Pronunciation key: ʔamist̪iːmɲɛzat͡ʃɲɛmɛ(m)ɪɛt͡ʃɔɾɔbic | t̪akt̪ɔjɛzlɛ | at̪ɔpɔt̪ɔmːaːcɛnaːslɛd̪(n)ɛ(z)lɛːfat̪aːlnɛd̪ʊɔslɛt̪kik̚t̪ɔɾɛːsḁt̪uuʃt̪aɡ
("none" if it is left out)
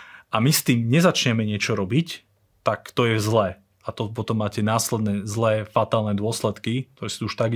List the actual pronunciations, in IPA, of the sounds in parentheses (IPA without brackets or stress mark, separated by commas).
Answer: ɲ, n, z